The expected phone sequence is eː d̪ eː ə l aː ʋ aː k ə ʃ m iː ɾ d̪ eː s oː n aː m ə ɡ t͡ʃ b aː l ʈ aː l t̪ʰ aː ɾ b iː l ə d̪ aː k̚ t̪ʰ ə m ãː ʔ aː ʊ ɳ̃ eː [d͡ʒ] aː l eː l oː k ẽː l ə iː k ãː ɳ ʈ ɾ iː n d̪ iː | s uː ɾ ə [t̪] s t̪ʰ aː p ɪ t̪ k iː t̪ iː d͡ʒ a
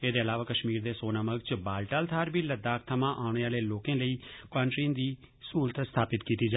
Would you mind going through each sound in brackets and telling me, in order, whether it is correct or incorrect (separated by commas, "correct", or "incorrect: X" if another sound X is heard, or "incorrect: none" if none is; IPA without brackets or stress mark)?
incorrect: none, correct